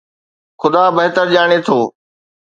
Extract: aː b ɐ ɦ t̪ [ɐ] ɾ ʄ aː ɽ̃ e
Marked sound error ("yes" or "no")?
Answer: yes